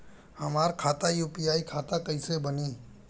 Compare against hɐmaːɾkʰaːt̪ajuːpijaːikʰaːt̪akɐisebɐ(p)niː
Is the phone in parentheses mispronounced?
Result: yes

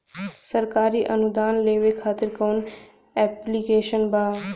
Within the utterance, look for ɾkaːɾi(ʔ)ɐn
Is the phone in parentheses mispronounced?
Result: no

